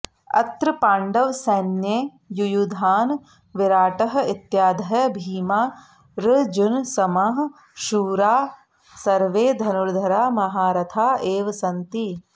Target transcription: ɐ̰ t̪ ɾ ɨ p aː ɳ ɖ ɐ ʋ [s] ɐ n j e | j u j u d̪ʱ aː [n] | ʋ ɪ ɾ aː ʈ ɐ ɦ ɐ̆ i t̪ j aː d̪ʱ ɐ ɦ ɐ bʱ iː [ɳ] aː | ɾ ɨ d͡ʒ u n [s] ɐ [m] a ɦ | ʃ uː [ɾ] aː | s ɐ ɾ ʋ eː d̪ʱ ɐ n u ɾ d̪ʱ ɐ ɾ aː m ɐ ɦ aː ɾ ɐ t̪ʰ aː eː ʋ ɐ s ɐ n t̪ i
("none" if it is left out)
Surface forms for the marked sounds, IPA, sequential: s, n, m, s, m, ɾ

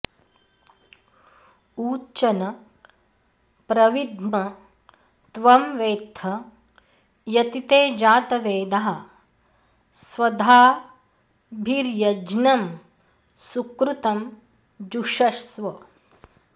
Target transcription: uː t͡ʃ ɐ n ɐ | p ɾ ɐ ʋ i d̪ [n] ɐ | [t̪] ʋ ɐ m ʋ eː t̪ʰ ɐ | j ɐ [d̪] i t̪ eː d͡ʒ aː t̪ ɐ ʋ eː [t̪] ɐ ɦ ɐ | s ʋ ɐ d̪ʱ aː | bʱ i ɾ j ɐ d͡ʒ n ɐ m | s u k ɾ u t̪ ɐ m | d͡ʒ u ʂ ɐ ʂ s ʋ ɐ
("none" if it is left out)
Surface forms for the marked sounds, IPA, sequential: m, t̪, t̪, d̪

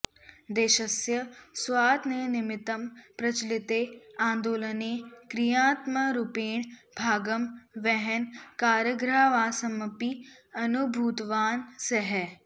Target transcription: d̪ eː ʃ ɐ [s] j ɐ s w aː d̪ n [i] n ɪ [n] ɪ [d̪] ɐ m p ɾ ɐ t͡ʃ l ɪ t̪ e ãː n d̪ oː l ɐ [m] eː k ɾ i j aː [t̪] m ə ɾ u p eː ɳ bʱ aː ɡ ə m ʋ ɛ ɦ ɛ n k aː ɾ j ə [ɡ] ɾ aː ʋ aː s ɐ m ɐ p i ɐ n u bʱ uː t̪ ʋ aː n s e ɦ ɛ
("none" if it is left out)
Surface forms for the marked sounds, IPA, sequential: s, e, m, t̪, n, t̪, ɡ

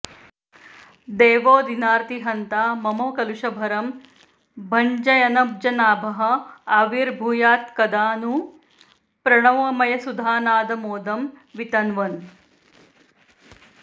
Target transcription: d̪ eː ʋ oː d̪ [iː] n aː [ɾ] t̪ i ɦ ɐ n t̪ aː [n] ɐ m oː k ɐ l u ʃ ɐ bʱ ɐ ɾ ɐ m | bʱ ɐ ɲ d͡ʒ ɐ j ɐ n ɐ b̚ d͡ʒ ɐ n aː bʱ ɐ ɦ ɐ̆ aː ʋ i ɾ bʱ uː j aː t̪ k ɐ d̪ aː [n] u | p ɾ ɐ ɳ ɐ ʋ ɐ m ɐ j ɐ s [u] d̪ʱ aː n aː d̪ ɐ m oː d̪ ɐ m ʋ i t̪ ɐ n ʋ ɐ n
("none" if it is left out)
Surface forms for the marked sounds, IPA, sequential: i, ɾ, m, n, u

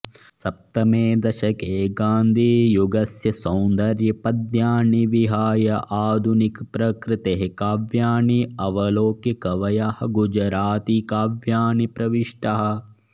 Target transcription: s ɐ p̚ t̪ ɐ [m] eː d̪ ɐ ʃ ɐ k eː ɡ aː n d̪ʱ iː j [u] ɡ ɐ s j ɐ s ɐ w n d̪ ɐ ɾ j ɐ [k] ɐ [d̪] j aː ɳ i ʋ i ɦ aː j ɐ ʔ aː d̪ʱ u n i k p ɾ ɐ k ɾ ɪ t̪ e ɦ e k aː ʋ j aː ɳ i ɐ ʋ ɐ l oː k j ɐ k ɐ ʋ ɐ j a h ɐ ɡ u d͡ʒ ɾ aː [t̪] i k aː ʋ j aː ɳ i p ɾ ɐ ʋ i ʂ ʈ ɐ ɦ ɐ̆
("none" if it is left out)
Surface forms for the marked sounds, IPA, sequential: m, u, p, d̪, t̪

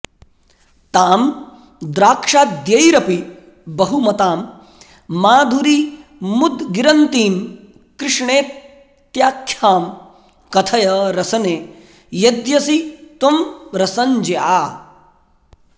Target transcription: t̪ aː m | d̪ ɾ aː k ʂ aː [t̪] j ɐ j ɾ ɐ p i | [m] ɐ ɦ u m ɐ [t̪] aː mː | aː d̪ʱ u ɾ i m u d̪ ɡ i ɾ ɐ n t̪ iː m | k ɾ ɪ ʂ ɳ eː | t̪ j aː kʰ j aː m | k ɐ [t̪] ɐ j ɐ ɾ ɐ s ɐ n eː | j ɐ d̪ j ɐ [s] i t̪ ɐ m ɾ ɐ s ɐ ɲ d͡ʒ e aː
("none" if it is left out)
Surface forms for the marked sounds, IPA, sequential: d̪, b, t̪, t̪ʰ, s

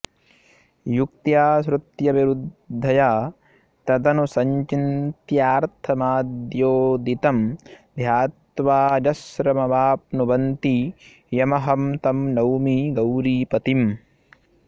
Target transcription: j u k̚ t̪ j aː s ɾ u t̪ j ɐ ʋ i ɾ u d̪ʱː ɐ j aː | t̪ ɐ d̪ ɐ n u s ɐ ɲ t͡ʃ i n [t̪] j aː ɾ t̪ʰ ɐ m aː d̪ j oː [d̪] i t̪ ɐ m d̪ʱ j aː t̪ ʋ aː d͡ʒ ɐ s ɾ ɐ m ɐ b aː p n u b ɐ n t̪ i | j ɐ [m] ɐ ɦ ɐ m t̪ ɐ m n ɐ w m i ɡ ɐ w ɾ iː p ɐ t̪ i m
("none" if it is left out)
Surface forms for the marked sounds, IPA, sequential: t̪, d̪, m

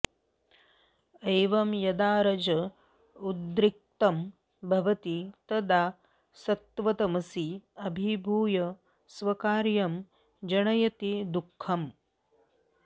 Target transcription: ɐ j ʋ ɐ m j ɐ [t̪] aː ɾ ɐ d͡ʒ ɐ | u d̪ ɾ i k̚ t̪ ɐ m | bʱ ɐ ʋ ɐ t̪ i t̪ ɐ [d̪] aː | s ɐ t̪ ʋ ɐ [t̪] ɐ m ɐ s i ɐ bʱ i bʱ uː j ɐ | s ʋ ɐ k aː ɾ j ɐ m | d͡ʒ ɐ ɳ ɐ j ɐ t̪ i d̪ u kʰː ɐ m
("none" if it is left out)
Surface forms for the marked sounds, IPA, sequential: d̪, d̪, t̪

